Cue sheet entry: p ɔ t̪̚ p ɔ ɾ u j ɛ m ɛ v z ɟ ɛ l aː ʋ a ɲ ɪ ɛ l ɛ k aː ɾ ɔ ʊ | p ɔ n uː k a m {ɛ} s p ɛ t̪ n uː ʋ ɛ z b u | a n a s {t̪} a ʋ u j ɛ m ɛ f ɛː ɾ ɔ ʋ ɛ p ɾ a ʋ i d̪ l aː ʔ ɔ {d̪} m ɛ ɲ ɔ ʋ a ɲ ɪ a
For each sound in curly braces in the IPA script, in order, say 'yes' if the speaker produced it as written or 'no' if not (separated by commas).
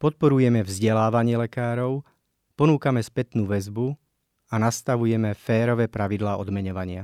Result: yes, yes, yes